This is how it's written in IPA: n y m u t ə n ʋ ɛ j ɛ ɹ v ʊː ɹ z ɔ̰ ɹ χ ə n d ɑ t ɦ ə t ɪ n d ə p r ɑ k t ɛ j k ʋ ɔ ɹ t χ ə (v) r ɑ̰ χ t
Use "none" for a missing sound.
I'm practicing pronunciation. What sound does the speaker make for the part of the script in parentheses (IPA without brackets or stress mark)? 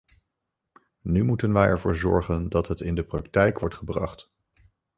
b